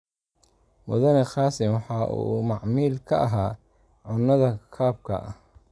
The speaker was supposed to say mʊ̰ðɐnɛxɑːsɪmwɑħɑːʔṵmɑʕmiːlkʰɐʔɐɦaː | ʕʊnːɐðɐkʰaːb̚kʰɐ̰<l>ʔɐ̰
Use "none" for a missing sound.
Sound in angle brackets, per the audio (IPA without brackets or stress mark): none